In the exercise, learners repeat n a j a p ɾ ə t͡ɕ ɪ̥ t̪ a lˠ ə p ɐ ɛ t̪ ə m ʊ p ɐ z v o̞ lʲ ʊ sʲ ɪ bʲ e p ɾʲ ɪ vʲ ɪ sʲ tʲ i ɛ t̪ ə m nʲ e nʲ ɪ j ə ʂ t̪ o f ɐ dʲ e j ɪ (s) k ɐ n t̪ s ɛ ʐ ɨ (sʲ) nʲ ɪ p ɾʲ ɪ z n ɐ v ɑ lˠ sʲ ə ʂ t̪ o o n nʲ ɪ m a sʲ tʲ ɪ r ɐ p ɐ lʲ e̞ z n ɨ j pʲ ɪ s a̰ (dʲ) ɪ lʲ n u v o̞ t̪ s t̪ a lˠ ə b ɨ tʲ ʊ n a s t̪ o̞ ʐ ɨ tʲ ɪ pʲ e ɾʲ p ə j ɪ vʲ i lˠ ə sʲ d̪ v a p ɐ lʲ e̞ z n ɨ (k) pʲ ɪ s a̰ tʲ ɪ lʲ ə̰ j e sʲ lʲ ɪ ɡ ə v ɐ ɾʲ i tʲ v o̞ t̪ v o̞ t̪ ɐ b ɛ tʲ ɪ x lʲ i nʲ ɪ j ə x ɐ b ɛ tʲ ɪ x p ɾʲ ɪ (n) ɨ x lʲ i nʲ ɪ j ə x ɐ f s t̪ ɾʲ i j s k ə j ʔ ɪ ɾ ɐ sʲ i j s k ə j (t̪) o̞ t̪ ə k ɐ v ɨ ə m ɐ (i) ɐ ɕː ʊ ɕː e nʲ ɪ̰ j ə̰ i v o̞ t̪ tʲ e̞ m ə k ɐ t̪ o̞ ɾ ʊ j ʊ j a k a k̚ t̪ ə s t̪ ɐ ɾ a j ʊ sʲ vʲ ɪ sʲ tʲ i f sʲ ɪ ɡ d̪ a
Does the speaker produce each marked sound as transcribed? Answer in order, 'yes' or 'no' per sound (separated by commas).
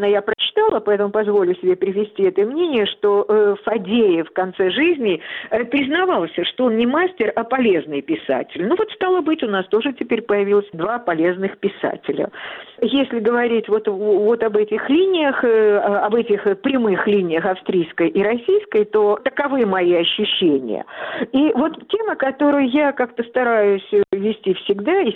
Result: no, no, no, no, no, yes, yes